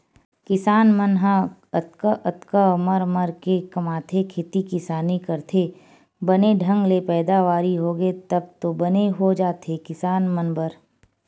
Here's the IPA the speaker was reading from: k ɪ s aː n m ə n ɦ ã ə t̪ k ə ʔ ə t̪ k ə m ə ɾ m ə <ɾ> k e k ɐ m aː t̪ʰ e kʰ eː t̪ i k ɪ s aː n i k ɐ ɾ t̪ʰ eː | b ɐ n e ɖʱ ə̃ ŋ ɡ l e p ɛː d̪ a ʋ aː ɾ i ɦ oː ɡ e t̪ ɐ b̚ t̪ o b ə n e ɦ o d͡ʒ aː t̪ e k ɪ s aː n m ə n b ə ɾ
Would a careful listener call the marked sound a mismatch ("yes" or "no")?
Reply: no